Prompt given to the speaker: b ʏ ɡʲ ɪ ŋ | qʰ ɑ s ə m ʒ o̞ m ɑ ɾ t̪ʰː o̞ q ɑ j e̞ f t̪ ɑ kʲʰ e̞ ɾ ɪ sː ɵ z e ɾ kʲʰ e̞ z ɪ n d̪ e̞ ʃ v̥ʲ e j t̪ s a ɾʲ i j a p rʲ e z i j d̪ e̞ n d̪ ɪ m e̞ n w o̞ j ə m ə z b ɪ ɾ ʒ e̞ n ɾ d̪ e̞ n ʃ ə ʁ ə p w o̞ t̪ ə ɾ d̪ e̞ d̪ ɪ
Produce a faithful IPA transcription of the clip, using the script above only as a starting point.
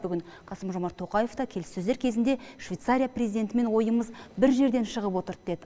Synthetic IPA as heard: b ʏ ɡʲ ɪ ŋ | qʰ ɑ s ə m ʒ o̞ m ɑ ɾ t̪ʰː o̞ q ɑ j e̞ f t̪ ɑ kʲʰ e̞ l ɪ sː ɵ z e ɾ kʲʰ e̞ z ɪ n d̪ e̞ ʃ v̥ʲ e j t̪ s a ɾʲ i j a p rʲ e z i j d̪ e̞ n t̪ ɪ m e̞ n w o̞ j ə m ə z b ɪ ɾ ʒ e̞ ɾ d̪ e̞ n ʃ ə ʁ ə p w o̞ t̪ ə ɾ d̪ e̞ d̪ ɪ